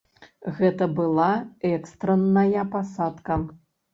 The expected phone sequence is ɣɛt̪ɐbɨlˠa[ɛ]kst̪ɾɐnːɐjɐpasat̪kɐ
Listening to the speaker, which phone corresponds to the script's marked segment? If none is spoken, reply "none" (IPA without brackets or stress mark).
ɛ